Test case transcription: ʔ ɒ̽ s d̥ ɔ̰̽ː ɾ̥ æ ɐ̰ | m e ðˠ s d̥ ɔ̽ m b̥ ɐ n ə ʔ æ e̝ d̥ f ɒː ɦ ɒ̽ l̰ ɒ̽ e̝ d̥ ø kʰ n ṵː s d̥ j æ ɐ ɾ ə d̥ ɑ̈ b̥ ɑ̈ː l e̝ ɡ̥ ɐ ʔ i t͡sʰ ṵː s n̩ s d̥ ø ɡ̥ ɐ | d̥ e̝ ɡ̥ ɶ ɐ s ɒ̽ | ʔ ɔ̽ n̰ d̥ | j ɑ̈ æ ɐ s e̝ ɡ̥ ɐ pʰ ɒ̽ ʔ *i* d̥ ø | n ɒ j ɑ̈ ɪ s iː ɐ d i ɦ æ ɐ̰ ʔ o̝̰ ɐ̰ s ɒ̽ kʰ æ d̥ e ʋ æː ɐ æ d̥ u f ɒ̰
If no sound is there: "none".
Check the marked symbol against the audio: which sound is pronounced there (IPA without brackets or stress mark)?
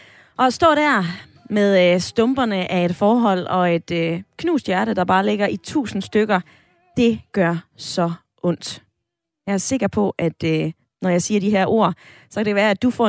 æ